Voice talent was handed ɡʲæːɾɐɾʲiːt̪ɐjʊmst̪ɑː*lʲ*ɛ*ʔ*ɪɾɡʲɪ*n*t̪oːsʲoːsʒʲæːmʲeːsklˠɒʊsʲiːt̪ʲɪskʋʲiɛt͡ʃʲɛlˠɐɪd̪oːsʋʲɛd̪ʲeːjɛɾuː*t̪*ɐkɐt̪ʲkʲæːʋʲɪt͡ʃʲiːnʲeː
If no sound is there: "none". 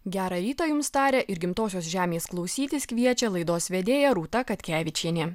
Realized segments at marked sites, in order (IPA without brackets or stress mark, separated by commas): ɾʲ, ʔ, m, t̪